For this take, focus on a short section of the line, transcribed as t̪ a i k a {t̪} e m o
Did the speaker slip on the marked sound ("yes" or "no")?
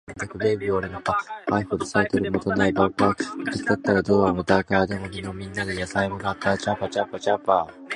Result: yes